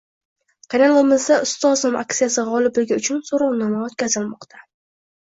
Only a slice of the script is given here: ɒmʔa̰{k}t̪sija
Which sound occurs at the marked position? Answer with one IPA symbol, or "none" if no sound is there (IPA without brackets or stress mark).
k